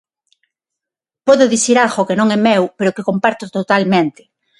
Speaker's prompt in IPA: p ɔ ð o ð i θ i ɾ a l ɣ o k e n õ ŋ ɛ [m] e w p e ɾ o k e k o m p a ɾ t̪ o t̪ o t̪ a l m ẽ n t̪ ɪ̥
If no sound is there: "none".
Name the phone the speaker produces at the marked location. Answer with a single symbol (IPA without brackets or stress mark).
m